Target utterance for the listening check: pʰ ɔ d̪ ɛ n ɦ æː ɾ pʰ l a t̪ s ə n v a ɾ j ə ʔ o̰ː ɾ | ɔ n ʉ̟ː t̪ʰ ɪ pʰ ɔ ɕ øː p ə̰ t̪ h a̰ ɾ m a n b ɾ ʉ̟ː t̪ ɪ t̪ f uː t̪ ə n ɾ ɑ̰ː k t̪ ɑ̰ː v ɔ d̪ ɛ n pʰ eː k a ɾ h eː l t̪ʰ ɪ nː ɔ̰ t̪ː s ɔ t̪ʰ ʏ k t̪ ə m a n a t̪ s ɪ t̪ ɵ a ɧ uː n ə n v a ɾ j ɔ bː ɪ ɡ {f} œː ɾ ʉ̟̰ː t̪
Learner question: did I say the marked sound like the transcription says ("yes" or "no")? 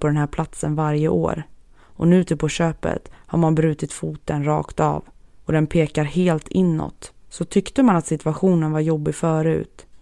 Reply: yes